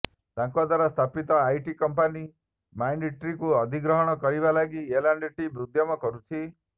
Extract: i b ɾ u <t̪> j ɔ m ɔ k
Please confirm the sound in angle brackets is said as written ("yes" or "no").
no